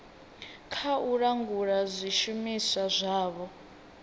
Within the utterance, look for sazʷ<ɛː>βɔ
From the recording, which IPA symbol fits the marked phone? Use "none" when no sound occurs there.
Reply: aː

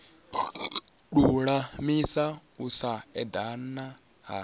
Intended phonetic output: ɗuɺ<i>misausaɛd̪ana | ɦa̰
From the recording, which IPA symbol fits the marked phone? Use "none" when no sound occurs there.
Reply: a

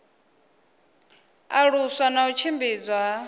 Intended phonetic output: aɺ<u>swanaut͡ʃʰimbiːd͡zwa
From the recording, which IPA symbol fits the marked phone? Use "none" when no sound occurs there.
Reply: u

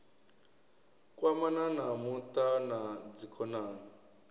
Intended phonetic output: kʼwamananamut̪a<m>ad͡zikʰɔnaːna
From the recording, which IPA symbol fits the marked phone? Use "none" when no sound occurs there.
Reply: n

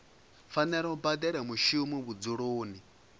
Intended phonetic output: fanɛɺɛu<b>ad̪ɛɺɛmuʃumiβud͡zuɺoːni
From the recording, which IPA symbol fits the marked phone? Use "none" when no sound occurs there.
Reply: b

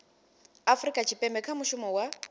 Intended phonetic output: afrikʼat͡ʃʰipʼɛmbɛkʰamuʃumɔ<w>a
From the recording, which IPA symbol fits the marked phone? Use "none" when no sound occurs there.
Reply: w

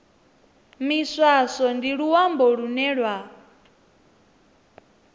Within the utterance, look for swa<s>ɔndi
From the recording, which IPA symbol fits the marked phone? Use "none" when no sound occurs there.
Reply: s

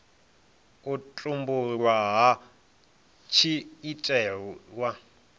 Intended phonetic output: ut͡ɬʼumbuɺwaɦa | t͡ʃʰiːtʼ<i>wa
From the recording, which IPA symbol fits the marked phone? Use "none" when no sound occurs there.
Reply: ɛ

